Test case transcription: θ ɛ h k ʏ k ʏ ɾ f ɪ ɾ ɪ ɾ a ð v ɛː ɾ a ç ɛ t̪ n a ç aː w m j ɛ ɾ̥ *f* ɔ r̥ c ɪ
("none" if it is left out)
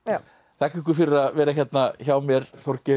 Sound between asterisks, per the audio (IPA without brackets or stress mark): θ